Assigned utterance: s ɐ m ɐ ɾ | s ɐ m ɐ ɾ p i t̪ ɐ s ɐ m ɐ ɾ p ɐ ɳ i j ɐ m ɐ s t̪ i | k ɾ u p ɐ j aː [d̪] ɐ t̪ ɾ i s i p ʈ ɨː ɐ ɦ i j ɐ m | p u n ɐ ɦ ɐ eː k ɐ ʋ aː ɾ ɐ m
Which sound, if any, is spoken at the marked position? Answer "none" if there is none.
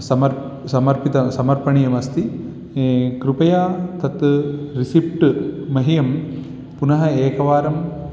t̪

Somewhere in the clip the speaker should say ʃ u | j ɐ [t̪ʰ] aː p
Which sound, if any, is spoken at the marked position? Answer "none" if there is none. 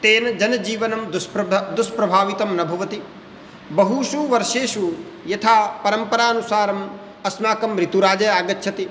t̪ʰ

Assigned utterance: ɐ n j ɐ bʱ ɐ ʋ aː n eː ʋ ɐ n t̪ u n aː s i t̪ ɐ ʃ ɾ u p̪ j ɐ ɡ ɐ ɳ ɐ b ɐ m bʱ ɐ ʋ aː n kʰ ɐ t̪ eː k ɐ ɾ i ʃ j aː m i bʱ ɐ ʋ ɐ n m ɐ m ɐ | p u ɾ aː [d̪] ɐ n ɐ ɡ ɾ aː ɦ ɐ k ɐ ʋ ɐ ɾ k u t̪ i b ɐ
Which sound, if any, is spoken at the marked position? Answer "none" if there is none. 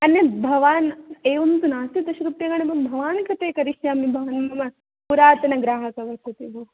t̪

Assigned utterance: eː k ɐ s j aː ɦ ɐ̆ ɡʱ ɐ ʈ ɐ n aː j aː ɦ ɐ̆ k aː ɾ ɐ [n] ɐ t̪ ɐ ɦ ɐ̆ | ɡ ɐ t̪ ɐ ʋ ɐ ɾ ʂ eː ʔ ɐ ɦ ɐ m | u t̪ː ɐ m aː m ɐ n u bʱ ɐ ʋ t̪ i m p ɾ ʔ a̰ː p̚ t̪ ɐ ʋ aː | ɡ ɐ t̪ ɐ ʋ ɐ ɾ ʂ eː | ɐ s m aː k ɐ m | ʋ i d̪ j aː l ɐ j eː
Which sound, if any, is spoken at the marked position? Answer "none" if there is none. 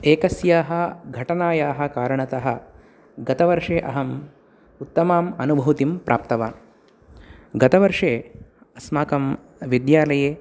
ɳ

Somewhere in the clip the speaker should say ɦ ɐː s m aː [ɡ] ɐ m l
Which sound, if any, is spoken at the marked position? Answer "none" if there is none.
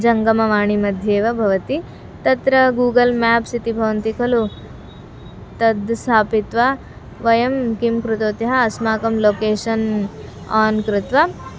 k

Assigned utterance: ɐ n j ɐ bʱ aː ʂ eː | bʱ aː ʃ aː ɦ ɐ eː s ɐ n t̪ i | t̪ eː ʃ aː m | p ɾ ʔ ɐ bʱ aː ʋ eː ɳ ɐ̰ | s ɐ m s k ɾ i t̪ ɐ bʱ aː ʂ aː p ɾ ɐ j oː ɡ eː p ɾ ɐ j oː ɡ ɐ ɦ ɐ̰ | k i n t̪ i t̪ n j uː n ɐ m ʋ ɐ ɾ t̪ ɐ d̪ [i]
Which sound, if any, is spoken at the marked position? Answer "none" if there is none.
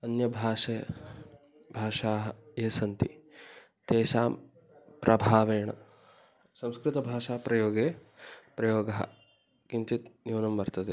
e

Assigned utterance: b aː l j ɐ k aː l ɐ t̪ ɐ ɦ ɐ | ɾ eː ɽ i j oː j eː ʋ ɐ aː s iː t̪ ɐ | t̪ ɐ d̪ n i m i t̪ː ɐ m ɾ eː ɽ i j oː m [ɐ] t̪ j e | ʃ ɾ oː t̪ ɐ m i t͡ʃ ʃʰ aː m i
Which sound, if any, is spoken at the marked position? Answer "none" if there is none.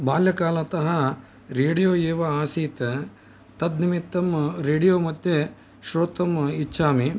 ɐ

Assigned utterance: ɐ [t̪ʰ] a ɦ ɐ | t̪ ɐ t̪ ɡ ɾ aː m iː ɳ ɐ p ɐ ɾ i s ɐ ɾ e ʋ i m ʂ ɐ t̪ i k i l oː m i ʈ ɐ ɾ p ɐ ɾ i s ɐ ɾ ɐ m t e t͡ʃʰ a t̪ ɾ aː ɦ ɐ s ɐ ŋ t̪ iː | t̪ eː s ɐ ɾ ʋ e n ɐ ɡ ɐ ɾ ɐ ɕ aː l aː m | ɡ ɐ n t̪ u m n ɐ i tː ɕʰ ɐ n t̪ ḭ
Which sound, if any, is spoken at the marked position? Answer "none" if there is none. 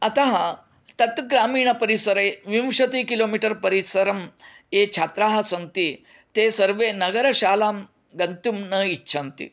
t̪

